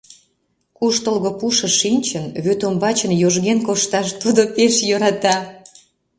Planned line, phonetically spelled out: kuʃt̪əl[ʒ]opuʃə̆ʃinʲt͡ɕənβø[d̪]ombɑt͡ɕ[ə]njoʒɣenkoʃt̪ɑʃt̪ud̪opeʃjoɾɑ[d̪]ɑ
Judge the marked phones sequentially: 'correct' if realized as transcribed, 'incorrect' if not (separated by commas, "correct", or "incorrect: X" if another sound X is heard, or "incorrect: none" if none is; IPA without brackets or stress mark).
incorrect: ɣ, incorrect: t̪, correct, incorrect: t̪